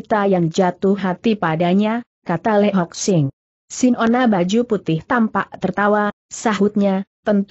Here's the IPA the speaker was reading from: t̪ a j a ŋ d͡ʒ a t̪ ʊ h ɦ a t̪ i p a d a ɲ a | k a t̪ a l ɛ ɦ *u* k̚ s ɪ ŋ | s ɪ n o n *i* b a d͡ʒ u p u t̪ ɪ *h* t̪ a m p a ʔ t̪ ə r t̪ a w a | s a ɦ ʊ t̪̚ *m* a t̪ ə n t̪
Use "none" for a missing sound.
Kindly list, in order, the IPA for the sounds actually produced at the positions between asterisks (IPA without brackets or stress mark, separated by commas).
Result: ɔ, a, h, ɲ